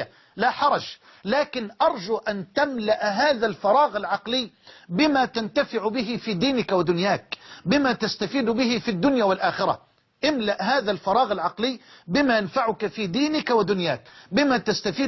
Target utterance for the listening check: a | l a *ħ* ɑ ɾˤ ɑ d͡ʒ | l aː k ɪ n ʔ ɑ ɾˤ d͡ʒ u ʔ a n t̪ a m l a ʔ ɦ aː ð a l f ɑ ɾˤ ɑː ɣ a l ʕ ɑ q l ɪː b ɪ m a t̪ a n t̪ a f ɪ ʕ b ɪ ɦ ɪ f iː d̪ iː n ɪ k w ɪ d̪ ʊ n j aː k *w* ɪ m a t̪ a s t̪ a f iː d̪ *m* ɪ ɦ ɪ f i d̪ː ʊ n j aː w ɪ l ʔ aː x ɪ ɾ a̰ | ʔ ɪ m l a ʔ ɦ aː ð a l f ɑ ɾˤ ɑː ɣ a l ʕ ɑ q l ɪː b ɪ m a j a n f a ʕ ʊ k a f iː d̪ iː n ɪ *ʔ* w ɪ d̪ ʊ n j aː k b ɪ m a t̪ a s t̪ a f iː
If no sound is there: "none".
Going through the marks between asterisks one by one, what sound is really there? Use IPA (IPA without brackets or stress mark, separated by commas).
ħ, b, b, k